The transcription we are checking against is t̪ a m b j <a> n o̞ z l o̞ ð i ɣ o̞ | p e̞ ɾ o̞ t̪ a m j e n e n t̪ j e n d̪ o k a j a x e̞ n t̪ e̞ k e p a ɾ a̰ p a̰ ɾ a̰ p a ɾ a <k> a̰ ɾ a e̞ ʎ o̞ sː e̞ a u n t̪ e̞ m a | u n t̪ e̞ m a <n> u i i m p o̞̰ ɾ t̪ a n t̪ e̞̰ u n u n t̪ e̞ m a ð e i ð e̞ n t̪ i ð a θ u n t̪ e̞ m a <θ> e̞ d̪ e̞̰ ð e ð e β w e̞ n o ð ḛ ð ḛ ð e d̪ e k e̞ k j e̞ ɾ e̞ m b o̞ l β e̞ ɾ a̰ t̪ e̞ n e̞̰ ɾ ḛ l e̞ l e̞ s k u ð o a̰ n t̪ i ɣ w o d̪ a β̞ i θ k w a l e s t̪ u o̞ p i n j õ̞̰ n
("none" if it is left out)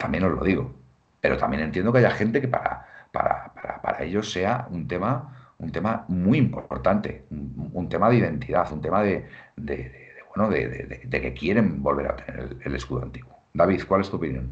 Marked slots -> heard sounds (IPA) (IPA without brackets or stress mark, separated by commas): e, p, m, ð